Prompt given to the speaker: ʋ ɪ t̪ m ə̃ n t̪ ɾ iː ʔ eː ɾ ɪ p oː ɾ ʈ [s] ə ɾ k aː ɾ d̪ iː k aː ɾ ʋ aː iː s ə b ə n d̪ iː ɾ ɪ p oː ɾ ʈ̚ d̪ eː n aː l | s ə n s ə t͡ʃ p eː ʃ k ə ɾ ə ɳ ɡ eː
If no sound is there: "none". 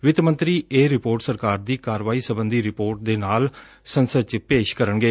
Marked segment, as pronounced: s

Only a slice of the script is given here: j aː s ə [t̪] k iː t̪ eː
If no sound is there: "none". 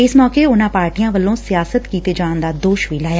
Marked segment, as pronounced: t̪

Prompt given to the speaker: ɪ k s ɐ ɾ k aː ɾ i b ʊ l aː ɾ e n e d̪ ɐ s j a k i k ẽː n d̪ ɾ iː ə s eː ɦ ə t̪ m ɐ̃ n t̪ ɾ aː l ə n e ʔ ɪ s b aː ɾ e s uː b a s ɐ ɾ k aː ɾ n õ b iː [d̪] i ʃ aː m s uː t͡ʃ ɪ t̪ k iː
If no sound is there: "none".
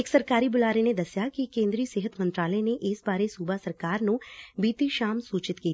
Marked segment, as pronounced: t̪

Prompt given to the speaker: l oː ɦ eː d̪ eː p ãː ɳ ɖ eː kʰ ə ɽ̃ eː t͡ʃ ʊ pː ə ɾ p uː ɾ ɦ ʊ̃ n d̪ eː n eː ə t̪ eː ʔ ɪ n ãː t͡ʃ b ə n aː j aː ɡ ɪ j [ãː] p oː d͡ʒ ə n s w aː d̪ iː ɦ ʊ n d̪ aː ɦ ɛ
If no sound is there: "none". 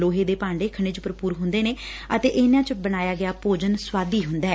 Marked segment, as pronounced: aː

